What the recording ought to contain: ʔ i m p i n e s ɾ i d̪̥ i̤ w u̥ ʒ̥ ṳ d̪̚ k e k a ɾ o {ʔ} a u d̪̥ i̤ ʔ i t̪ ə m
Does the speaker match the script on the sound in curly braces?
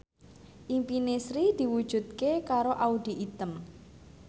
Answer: yes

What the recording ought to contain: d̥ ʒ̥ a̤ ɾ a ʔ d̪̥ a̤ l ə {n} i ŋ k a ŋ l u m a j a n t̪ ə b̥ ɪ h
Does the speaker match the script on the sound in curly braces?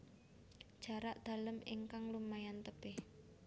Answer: no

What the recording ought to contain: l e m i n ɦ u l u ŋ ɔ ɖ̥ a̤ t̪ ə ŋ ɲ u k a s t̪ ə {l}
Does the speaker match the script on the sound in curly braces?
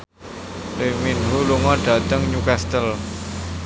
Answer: yes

